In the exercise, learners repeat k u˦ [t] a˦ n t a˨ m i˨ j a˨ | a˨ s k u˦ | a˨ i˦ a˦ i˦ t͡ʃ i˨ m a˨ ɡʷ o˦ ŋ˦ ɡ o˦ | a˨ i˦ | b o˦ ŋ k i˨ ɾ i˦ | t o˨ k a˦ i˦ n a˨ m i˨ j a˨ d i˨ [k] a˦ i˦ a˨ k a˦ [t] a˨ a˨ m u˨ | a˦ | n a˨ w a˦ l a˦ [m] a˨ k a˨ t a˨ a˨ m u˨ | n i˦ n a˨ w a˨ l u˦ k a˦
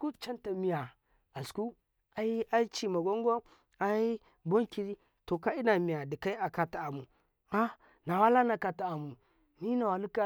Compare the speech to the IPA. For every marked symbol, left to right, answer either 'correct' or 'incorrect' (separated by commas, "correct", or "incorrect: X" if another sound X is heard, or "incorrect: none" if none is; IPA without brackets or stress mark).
incorrect: t͡ʃ, correct, correct, incorrect: n